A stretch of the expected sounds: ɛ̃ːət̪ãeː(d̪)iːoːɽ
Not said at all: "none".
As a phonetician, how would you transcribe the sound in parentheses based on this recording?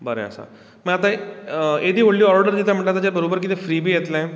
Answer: d̪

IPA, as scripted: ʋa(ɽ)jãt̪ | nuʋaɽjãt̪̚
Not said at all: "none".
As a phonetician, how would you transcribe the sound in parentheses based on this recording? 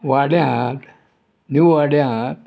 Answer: ɽ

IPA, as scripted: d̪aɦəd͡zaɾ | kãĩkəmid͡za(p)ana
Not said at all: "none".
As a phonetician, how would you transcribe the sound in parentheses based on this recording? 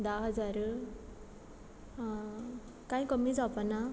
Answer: p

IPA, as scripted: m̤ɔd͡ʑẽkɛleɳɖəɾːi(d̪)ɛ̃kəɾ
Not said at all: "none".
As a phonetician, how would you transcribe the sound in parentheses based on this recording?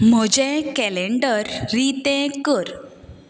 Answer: t̪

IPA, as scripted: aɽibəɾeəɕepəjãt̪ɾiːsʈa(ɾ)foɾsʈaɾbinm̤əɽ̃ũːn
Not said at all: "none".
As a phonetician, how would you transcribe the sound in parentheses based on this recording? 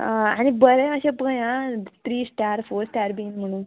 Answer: ɾ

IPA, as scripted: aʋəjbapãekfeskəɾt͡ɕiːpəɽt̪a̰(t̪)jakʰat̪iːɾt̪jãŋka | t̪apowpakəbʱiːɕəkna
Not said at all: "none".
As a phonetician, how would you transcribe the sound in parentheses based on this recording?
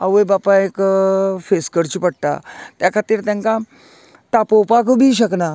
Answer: t̪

